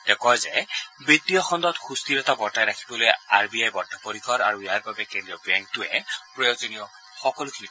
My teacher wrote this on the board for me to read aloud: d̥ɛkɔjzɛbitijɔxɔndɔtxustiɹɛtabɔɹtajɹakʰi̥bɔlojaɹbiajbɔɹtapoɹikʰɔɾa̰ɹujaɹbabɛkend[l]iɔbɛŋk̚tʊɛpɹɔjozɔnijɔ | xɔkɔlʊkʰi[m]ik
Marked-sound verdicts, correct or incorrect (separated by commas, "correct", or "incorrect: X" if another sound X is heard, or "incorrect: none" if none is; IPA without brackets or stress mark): incorrect: ɹ, incorrect: n